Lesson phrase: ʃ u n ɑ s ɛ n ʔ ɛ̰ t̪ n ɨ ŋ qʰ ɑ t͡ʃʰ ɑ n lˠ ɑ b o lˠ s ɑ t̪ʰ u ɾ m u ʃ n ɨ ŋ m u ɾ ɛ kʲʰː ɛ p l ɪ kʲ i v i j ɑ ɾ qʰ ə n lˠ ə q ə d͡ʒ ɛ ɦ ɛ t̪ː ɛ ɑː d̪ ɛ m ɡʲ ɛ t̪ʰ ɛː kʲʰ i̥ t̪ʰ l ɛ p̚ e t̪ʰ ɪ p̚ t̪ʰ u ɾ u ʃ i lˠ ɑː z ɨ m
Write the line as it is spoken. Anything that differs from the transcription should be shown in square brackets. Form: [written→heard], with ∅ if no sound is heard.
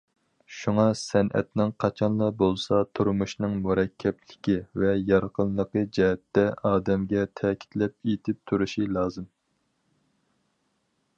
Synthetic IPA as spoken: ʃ u [n→ŋ] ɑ s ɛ n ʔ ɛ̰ t̪ n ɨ ŋ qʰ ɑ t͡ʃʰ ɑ n lˠ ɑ b o lˠ s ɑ t̪ʰ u ɾ m u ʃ n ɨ ŋ m u ɾ ɛ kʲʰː ɛ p l ɪ kʲ i v [i→ɛ] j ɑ ɾ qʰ ə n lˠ ə q ə d͡ʒ ɛ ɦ ɛ t̪ː ɛ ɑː d̪ ɛ m ɡʲ ɛ t̪ʰ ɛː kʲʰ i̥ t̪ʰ l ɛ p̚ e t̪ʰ ɪ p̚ t̪ʰ u ɾ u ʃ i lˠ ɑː z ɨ m